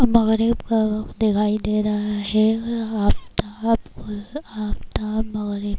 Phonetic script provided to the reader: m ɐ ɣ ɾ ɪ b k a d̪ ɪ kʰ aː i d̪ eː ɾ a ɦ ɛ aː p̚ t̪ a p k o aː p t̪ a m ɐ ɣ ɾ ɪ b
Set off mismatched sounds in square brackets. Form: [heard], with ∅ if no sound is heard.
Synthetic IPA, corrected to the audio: m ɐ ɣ ɾ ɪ b k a d̪ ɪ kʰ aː i d̪ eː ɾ a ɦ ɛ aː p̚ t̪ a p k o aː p t̪ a m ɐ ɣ ɾ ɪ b